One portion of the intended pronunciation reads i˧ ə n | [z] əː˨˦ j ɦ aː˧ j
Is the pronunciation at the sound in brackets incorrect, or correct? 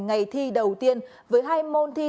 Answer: incorrect